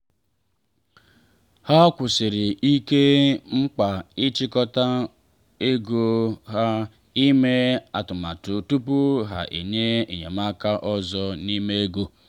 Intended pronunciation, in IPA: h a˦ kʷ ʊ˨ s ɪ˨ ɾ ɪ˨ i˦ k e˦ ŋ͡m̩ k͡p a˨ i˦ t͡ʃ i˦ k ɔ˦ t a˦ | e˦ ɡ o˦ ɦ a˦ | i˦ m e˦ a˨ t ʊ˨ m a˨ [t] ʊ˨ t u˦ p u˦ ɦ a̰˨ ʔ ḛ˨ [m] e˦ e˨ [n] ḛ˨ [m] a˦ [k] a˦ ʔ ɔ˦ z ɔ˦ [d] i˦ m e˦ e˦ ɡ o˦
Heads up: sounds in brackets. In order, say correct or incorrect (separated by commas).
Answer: correct, incorrect, incorrect, correct, correct, incorrect